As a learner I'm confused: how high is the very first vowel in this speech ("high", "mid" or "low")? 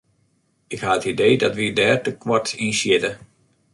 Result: high